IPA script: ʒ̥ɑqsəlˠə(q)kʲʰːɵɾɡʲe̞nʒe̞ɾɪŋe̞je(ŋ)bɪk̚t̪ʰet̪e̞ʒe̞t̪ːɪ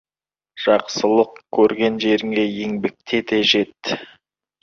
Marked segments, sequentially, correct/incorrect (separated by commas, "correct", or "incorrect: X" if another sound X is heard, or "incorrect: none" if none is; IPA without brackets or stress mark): correct, correct